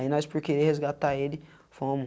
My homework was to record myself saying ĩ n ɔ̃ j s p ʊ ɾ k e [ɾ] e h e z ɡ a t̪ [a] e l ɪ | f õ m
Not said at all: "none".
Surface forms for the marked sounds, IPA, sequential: ɾ, a

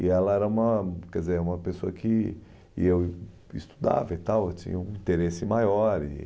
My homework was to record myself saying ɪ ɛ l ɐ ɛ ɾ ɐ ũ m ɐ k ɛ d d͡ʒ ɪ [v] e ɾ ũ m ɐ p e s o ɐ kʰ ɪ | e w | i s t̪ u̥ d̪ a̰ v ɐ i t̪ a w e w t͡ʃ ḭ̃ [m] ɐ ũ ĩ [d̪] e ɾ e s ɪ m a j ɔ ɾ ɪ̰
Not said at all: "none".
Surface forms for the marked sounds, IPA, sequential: z, ɲ, t̪

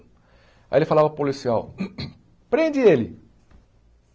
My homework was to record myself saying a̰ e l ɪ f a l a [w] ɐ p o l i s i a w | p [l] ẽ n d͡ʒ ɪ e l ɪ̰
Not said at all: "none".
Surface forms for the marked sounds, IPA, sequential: v, ɾ

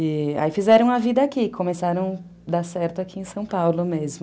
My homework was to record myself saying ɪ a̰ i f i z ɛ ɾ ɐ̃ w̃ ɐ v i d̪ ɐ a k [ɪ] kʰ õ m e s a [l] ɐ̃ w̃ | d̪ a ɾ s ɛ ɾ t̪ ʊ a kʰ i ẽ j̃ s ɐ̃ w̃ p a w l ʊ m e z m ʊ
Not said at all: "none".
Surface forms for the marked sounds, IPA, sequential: i, ɾ

